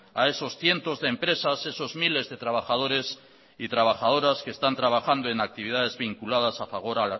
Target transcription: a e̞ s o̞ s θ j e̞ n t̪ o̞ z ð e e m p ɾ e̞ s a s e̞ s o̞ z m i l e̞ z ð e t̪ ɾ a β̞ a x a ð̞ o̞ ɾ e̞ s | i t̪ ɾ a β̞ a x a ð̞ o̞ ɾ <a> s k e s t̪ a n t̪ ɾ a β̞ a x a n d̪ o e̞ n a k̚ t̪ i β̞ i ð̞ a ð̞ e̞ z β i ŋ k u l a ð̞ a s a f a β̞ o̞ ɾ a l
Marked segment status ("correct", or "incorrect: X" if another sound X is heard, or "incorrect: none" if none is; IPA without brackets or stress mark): correct